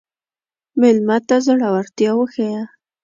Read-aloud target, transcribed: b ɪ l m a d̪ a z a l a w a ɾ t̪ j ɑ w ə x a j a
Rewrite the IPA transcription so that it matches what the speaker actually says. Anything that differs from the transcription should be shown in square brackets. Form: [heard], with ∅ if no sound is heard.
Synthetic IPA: [m] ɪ l m a [t̪] a z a [ɽ] a w a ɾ t̪ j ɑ w ə x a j a